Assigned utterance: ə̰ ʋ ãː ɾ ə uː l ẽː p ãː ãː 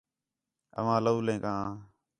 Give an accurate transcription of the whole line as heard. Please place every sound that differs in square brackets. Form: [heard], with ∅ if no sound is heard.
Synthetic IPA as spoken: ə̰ ʋ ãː [l] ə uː l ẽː [k] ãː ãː